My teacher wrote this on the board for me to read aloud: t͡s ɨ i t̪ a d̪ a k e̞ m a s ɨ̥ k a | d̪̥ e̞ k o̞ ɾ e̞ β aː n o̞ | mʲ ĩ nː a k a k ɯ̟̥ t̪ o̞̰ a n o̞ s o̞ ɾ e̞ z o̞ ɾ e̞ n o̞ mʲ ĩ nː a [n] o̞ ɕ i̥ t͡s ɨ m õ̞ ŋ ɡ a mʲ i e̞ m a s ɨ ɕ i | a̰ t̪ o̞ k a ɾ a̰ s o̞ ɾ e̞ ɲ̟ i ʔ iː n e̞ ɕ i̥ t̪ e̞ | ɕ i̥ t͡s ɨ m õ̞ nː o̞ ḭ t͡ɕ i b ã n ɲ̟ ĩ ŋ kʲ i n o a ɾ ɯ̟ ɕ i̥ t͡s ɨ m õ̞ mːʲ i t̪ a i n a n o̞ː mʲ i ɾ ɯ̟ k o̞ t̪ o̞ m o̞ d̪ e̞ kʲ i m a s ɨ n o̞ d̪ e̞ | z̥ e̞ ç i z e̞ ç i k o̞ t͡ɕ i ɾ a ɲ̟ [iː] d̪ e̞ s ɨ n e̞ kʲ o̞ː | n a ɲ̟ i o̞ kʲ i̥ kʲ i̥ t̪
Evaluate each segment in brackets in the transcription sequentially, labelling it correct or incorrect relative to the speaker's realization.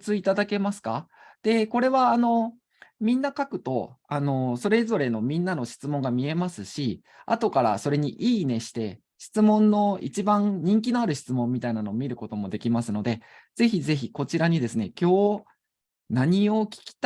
correct, incorrect: i

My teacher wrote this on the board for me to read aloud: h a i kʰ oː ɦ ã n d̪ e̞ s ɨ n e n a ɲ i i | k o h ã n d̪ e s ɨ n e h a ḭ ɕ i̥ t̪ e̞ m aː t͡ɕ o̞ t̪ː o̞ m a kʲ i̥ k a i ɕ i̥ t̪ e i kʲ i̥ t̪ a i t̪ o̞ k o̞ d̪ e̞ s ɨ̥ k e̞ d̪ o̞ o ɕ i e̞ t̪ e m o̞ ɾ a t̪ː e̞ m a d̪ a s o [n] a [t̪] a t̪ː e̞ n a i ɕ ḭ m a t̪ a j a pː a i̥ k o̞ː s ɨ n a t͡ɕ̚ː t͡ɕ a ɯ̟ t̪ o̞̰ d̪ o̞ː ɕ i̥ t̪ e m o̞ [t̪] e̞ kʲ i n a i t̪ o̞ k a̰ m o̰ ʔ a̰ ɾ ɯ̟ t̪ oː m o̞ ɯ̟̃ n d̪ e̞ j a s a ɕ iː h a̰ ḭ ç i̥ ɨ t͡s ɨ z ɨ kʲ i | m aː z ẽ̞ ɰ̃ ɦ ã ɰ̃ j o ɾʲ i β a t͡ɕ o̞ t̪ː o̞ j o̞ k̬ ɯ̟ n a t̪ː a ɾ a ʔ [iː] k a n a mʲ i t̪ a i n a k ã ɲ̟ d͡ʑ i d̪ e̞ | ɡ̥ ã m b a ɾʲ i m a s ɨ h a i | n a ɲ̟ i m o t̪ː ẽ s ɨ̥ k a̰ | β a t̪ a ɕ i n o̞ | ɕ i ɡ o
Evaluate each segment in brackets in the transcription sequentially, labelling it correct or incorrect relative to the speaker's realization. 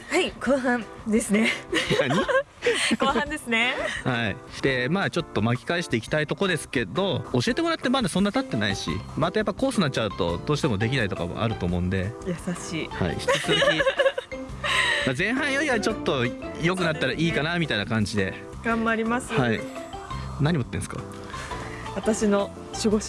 incorrect: nː, correct, incorrect: d̪, correct

